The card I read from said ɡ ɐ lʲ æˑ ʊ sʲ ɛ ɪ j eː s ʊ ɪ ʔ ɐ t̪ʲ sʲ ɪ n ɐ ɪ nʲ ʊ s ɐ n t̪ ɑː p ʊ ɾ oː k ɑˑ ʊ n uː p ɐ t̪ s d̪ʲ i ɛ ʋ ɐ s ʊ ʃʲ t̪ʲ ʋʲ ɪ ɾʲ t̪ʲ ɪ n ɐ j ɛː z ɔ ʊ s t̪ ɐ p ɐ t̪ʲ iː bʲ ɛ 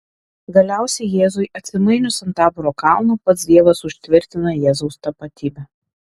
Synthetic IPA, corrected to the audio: ɡ ɐ lʲ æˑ ʊ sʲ ɛ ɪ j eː z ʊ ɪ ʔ ɐ t̪ʲ sʲ ɪ m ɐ ɪ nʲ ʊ s ɐ n t̪ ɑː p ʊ ɾ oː k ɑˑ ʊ n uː p ɐ t̪ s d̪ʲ i ɛ ʋ ɐ s ʊ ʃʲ t̪ʲ ʋʲ ɪ ɾʲ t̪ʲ ɪ n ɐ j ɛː z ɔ ʊ s t̪ ɐ p ɐ t̪ʲ iː bʲ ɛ